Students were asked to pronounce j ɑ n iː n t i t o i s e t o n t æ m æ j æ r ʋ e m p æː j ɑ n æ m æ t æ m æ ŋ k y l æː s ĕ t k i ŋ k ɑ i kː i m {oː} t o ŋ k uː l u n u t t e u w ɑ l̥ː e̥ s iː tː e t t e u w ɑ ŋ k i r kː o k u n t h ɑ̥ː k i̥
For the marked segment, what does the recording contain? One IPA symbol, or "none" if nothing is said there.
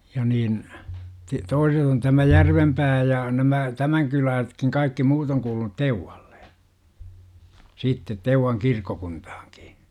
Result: uː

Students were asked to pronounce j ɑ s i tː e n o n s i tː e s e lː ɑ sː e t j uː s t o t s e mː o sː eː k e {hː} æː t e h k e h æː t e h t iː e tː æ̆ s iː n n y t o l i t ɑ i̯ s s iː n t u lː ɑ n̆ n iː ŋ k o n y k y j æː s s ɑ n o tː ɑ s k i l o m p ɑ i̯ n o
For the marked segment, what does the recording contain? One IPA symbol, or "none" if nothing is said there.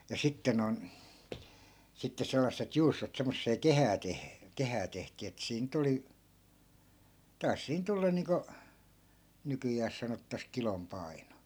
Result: h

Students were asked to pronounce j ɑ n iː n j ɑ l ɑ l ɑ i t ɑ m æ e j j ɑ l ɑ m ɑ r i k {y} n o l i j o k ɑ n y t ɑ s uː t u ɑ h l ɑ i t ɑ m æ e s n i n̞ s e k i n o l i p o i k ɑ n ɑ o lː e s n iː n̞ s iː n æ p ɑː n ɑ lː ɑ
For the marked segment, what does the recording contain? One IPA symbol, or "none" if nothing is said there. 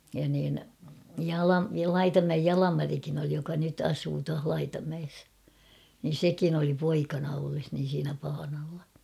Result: i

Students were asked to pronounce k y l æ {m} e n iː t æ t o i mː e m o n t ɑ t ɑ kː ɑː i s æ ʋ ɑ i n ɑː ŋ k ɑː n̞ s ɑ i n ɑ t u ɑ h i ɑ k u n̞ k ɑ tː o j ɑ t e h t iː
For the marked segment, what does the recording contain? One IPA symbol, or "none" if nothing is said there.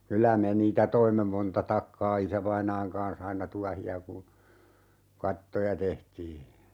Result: m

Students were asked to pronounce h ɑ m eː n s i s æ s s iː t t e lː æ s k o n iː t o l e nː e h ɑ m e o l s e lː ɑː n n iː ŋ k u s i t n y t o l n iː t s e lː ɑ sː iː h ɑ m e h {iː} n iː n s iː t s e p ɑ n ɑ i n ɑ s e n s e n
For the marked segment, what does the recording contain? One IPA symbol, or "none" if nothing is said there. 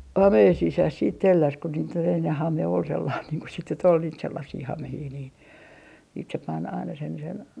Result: iː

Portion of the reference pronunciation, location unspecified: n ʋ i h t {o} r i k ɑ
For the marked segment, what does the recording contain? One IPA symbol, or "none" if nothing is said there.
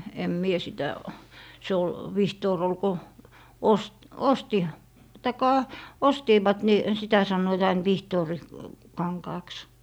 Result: oː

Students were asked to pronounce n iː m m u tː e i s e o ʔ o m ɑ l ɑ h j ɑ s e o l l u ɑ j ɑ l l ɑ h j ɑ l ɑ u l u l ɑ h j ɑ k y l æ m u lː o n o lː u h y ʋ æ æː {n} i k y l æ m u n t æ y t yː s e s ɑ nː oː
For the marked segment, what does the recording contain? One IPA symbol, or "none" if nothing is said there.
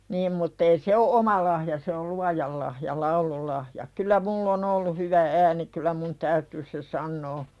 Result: n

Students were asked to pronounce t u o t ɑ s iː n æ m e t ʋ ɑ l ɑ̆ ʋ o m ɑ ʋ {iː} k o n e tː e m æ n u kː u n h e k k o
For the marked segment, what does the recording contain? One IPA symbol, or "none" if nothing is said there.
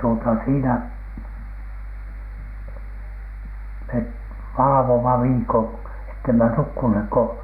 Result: iː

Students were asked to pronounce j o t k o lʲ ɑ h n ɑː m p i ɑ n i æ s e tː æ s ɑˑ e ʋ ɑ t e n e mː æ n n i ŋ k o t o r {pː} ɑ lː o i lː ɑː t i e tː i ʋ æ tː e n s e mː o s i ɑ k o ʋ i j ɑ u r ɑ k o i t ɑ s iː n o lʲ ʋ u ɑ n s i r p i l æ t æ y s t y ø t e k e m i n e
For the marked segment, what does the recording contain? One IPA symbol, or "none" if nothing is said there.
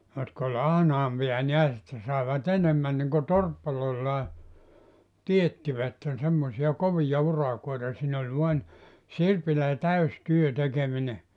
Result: pː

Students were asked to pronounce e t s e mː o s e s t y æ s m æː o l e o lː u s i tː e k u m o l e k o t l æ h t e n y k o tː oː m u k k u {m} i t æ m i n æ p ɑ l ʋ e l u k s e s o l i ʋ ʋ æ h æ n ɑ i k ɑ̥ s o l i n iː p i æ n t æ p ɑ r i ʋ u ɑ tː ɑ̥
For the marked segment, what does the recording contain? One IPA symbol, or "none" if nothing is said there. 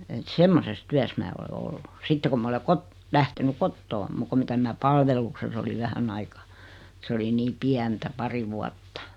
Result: m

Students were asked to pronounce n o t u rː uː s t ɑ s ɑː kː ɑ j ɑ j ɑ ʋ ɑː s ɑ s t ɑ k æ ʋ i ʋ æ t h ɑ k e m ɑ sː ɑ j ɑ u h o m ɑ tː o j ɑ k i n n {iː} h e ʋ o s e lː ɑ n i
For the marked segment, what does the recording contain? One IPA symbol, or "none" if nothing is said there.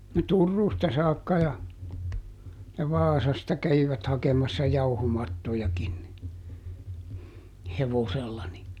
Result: i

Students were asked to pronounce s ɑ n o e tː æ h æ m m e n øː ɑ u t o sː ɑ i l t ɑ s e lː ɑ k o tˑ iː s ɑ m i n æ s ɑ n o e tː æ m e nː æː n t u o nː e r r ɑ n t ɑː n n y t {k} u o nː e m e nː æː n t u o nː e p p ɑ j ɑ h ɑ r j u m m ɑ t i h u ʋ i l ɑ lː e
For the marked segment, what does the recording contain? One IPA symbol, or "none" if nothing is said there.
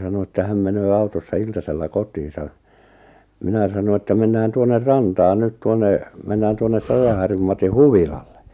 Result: t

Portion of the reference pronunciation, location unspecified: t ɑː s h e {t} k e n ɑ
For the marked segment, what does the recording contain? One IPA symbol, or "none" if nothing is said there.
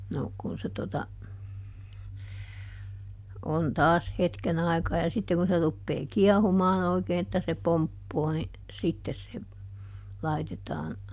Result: t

